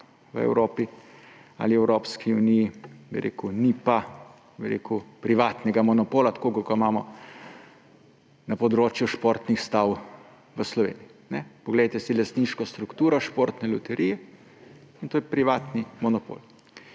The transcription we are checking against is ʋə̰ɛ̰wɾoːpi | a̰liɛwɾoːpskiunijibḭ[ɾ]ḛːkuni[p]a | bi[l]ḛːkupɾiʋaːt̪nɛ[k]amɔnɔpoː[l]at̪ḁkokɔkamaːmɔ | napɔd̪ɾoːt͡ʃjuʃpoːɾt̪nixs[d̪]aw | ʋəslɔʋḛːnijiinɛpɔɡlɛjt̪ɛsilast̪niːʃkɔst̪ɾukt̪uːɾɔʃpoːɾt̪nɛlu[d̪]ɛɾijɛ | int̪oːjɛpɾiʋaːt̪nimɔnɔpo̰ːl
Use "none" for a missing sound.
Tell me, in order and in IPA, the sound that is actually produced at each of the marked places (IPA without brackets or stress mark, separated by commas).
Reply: ɾ, p, ɾ, ɡ, l, t̪, t̪